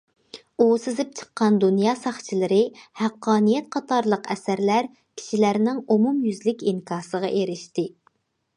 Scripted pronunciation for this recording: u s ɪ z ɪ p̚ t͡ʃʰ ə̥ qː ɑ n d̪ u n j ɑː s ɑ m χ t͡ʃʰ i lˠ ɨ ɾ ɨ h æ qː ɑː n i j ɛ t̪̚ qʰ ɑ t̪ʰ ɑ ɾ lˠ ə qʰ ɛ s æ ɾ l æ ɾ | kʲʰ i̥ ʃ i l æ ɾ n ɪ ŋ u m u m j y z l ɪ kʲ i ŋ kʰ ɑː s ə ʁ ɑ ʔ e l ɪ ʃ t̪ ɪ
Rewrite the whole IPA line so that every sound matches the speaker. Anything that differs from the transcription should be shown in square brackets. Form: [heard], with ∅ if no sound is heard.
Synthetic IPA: u s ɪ z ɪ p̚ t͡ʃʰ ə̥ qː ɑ n d̪ u n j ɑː s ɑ [∅] χ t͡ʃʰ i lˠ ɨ ɾ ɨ h æ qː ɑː n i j ɛ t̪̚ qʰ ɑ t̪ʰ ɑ ɾ lˠ ə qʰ ɛ s æ ɾ l æ ɾ | kʲʰ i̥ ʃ i l æ ɾ n ɪ ŋ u m u m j y z l ɪ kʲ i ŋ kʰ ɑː s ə ʁ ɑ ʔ e [ɾ] ɪ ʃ t̪ ɪ